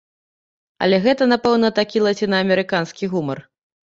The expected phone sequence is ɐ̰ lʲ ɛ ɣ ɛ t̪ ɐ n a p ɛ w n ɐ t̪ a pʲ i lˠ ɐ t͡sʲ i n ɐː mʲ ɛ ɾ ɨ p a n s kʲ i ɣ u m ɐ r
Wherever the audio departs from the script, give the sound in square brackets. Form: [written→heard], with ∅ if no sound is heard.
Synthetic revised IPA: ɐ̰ lʲ ɛ ɣ ɛ t̪ ɐ n a p ɛ w n ɐ t̪ a [pʲ→kʲ] i lˠ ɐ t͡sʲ i n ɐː mʲ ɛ ɾ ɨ [p→k] a n s kʲ i ɣ u m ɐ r